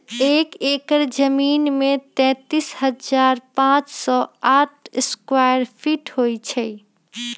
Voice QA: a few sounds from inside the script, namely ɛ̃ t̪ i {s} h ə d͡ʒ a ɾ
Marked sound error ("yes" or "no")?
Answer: no